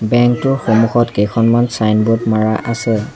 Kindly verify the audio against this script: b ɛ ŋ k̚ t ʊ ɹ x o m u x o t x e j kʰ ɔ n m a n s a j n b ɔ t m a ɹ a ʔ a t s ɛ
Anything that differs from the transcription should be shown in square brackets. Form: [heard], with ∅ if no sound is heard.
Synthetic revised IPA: b ɛ ŋ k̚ t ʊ ɹ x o m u x [ɔ] t [k] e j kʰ ɔ n m a n s a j n b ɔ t m a ɹ a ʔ a [∅] s ɛ